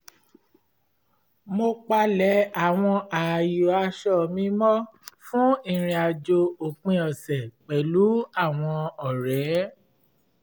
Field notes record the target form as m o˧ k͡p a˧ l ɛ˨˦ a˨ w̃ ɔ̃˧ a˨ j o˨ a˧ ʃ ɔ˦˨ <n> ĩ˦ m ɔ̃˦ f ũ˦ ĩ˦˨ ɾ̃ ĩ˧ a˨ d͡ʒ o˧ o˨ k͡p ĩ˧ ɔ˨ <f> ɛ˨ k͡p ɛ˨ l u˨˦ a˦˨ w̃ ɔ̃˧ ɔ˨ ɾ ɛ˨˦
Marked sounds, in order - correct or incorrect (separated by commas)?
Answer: incorrect, incorrect